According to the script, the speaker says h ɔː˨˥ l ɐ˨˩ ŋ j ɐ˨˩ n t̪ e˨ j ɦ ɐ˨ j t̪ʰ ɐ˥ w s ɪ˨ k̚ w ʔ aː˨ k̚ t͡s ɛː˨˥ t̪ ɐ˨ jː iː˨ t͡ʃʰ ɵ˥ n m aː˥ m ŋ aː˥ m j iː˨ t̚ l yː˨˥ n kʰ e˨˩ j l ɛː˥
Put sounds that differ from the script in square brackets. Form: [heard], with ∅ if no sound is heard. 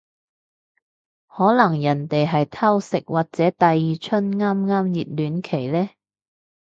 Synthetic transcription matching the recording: h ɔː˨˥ l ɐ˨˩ ŋ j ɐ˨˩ n t̪ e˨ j ɦ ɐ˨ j t̪ʰ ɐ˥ w s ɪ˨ k̚ w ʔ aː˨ k̚ t͡s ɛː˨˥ t̪ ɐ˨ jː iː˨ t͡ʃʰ ɵ˥ n [ŋ] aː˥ m ŋ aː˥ m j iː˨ t̚ l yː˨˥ n kʰ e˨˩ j l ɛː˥